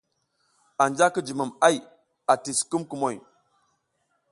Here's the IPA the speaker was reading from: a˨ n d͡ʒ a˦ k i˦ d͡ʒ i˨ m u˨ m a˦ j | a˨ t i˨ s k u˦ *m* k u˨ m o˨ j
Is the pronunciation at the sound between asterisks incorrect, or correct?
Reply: correct